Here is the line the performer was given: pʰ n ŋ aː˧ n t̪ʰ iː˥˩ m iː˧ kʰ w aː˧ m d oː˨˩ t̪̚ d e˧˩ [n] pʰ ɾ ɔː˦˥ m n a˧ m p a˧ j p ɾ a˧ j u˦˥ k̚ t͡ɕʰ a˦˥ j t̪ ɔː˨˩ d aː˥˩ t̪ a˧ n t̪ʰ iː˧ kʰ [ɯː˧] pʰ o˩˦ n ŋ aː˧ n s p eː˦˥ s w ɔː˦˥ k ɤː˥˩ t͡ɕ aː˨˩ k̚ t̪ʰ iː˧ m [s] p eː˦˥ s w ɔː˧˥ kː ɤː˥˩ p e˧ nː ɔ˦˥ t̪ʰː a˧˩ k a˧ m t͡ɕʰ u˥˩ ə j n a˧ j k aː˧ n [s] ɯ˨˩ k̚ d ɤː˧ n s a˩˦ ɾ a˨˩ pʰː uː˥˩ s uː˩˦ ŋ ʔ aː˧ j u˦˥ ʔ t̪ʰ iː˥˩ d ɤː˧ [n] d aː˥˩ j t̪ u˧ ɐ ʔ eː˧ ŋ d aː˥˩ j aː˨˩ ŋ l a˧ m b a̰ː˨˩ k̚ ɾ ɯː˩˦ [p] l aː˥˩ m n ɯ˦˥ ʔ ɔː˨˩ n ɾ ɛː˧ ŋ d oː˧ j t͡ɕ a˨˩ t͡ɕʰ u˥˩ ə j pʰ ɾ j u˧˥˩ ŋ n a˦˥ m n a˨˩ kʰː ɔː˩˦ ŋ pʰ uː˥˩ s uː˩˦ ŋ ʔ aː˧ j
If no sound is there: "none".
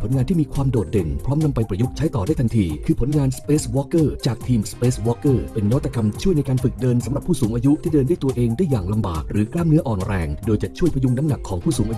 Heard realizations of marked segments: n, ɯː˧, s, f, n, k

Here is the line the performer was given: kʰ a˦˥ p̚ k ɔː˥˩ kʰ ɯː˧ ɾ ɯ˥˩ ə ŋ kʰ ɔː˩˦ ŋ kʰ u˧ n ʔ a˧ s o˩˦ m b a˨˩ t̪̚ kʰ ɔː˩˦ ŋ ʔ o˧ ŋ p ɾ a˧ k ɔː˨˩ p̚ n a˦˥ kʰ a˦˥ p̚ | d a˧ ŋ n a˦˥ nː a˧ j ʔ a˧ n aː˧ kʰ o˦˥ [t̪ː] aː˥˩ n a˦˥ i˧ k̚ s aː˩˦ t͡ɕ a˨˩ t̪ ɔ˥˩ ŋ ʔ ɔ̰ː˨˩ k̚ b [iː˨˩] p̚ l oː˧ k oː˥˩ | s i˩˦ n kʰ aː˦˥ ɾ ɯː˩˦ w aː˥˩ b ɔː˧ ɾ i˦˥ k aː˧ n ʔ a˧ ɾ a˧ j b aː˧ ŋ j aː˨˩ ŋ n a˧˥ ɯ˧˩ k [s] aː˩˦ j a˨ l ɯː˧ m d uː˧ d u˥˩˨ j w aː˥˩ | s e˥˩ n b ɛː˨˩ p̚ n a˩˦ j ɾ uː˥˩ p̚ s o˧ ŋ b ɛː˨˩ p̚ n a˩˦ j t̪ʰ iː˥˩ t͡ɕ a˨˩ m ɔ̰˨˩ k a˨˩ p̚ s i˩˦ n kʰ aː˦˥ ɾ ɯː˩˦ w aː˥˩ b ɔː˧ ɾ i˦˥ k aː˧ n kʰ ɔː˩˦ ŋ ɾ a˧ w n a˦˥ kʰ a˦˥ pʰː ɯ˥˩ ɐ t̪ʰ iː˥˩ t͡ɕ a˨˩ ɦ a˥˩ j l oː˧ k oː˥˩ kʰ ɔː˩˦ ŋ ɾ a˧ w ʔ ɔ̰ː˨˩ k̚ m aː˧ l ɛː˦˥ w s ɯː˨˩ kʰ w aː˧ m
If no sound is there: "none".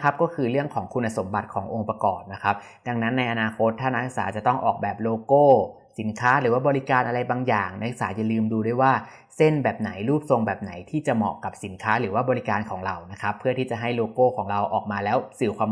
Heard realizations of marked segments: t̪ʰː, ɛː˨˩, s

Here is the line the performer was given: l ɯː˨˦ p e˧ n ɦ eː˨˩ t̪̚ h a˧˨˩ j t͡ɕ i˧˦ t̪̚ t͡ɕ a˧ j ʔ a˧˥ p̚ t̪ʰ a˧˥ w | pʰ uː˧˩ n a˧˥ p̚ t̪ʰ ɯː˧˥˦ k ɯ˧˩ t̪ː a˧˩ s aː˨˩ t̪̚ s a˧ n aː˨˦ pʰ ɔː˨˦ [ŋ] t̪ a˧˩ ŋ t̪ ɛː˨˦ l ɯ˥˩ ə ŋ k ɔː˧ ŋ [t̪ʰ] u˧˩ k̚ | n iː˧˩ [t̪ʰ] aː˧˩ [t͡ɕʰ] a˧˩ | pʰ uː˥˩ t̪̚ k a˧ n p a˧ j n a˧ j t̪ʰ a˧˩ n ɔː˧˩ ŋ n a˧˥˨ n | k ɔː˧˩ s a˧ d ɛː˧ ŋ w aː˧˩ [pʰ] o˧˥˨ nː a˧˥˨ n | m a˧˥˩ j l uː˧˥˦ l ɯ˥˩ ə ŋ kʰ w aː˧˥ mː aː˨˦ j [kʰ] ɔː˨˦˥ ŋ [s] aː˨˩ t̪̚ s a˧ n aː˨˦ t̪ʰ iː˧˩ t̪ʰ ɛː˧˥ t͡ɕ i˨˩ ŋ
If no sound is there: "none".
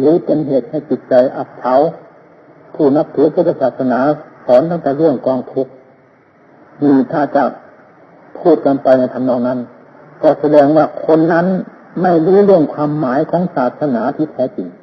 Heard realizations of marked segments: n, t̪ʰ, t̪ʰ, t͡ɕ, kʰ, kʰ, s

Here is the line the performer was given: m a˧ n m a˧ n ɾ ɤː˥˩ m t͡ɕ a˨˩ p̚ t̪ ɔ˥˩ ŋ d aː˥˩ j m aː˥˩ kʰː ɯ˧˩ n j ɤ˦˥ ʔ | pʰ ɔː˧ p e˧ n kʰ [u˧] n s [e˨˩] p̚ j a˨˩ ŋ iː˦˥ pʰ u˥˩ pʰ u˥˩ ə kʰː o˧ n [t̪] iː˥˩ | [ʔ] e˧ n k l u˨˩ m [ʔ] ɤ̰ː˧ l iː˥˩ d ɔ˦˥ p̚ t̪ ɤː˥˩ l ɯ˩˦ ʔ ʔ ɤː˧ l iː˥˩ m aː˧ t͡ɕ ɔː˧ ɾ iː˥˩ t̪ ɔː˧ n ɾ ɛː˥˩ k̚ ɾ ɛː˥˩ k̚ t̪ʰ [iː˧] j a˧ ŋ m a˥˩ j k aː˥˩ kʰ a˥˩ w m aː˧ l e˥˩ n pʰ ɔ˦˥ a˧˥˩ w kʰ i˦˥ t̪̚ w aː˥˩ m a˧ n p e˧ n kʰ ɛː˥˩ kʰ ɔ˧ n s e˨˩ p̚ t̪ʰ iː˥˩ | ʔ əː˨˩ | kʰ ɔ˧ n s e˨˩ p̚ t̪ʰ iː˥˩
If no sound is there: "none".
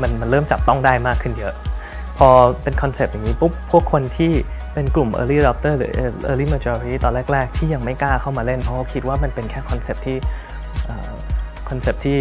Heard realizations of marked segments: ɔ˧, e˨˩, t̪ʰ, p, ʔ, iː˥˩

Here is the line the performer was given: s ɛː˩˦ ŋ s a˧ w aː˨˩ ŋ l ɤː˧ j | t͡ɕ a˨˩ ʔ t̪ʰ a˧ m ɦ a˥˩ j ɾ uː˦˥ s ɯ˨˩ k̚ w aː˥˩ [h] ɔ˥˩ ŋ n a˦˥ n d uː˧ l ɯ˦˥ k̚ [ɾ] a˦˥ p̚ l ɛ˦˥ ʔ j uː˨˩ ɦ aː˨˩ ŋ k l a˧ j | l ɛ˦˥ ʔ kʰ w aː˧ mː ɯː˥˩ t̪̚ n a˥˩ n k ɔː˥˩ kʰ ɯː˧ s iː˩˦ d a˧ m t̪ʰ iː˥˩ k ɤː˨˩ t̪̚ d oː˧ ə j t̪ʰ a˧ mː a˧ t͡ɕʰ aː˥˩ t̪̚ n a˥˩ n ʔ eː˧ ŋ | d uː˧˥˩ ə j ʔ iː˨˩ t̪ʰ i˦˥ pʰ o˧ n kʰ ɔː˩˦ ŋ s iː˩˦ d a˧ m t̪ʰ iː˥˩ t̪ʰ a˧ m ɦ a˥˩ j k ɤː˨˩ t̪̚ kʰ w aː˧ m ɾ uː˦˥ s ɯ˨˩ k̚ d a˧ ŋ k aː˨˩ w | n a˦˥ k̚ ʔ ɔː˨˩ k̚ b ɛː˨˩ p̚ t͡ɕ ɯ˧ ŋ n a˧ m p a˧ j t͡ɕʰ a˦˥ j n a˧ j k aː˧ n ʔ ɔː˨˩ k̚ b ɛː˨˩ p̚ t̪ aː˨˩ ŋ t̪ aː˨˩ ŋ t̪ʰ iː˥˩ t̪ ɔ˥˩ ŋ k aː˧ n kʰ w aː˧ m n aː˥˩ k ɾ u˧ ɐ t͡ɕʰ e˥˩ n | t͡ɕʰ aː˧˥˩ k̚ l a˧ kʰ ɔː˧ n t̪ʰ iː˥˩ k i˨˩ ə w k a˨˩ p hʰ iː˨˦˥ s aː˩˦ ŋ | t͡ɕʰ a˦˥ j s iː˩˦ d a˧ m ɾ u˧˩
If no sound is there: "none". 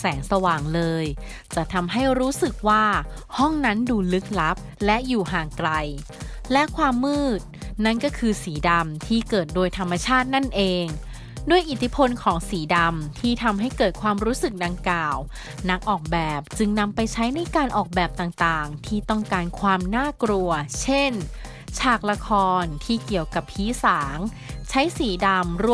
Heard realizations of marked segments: h, l

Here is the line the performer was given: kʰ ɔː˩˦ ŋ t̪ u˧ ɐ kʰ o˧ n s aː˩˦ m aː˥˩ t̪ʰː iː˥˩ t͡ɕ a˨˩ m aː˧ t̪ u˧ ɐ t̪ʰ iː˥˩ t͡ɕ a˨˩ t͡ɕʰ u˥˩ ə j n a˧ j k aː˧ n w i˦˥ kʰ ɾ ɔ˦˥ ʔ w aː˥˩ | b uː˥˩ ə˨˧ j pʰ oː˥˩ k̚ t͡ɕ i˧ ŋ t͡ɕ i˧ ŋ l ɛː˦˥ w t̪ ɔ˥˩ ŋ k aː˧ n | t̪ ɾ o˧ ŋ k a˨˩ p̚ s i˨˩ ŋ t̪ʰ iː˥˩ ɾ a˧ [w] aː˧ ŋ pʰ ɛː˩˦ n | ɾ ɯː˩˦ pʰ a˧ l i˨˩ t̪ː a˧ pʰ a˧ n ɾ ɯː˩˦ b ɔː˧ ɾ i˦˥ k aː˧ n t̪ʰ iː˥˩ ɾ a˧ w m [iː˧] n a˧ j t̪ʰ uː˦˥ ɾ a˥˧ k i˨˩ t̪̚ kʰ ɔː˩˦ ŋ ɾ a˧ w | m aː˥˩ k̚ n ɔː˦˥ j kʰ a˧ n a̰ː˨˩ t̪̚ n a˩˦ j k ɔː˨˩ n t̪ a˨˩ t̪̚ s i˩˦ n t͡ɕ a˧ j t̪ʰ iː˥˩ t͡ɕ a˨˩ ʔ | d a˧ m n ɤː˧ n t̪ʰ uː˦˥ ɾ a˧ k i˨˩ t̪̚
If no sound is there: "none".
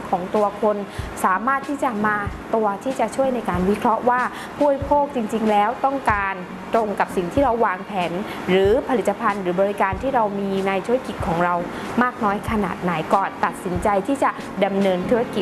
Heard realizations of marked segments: wː, iː˧

